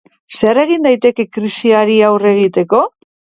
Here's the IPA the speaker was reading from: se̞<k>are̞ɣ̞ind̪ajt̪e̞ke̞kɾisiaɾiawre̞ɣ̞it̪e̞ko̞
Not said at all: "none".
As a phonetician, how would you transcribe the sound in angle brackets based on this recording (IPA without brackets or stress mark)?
none